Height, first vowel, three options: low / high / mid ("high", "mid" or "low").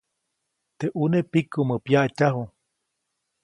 mid